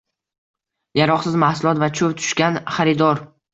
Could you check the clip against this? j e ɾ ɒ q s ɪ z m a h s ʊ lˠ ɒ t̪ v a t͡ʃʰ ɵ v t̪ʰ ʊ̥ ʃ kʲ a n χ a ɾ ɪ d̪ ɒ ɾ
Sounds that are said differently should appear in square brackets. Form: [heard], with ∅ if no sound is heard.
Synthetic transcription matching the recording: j [a] ɾ ɒ q s ɪ z m a h s ʊ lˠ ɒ t̪ v a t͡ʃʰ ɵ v t̪ʰ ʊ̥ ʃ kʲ a n χ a ɾ ɪ d̪ ɒ ɾ